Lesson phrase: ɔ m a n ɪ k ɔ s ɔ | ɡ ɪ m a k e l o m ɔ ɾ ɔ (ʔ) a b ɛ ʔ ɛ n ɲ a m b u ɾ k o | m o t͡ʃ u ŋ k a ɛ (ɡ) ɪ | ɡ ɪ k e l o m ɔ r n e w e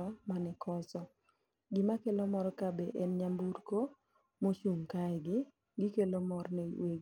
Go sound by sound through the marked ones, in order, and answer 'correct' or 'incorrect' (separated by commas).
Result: incorrect, correct